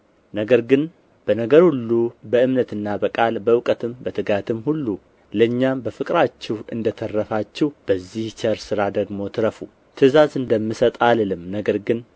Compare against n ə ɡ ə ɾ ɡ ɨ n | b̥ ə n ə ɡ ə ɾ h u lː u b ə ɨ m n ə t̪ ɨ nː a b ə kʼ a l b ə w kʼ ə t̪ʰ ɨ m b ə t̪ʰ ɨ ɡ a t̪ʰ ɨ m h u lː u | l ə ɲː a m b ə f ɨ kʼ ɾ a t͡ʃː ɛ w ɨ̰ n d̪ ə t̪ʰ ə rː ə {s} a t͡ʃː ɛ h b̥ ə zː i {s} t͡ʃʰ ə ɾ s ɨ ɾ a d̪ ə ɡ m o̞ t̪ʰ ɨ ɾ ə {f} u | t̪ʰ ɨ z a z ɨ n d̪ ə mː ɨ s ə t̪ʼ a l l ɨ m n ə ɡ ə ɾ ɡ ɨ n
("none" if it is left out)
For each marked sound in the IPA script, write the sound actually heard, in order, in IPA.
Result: f, h, f

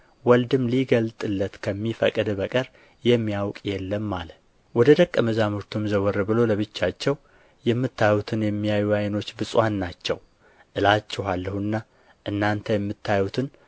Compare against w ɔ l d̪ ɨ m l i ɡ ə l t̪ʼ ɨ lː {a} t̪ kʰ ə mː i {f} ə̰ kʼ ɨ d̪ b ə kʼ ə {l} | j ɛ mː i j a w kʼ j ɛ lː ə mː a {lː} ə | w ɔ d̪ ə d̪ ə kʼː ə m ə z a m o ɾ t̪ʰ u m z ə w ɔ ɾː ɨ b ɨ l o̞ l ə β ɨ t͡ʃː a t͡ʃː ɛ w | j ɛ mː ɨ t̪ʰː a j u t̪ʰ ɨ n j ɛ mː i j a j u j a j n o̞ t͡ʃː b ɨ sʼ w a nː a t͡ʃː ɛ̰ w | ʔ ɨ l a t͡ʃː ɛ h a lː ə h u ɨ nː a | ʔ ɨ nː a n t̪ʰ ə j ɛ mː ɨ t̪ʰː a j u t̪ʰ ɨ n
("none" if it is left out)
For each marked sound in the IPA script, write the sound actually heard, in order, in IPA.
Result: ə, f, ɾ, l

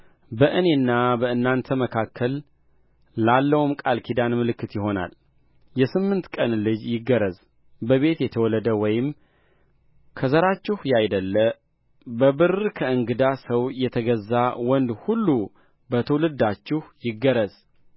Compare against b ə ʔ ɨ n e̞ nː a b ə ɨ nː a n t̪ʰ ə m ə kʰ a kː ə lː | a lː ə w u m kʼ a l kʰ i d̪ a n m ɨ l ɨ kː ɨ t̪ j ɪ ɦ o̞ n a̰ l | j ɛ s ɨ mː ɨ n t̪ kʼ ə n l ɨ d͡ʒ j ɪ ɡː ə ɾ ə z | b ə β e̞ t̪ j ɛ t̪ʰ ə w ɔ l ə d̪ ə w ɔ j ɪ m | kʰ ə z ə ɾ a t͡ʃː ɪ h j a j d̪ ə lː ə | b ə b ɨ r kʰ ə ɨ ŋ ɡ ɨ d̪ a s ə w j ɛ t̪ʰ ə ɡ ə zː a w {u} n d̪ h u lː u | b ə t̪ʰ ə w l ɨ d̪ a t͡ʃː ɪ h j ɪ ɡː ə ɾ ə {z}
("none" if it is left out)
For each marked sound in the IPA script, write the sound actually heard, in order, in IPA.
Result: ɔ, z

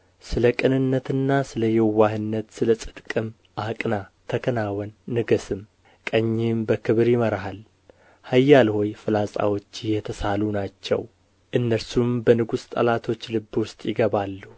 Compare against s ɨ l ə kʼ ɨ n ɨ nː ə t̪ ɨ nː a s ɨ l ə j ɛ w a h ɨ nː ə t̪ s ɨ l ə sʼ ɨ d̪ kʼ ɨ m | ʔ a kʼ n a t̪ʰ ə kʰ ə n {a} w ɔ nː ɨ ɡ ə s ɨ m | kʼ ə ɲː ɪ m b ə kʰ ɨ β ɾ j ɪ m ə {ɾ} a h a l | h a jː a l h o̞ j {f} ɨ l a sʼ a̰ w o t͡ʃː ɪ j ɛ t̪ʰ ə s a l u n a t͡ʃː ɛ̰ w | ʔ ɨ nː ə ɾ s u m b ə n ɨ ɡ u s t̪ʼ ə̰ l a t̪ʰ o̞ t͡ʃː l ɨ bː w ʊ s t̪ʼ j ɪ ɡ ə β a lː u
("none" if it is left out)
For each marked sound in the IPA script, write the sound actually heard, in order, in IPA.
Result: a, ɾ, f

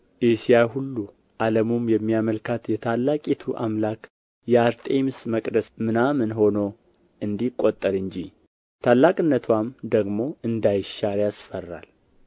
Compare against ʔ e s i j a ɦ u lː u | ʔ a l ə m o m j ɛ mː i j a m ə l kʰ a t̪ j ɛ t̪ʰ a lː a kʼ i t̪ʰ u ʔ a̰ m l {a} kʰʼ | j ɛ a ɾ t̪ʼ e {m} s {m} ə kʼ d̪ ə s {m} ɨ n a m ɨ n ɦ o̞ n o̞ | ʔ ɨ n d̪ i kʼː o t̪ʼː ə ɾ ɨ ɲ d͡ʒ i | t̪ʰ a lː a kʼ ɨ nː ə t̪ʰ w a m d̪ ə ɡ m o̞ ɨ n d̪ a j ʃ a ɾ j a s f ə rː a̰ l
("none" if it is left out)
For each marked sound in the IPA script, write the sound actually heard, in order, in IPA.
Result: a, m, m, m

